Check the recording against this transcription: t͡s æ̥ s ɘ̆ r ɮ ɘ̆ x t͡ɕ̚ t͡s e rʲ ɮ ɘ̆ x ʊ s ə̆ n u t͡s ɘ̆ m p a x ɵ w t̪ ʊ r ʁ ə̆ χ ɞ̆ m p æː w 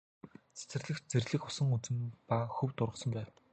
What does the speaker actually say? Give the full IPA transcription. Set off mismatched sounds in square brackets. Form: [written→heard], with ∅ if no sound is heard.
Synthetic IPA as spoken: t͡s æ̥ [s→t͡s] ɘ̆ r ɮ ɘ̆ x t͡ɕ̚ t͡s e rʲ ɮ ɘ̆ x ʊ s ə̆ [n→ŋ] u t͡s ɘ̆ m p a x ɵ w t̪ ʊ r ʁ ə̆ [χ→s] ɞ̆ m p æː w